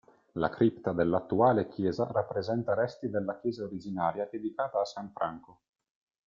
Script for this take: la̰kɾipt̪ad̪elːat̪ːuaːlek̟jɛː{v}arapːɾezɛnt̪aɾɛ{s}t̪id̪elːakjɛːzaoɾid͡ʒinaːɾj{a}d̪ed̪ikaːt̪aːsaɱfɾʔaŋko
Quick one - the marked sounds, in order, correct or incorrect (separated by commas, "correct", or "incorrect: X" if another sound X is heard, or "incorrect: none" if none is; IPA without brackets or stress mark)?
incorrect: z, correct, correct